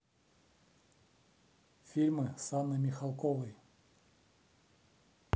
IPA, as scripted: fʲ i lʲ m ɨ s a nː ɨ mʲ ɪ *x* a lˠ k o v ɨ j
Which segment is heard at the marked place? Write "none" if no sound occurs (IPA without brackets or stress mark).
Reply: x